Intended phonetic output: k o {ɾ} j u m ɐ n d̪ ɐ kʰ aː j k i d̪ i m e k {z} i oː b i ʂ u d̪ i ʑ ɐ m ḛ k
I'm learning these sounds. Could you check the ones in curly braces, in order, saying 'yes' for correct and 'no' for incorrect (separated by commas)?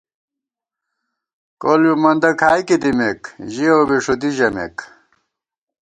no, no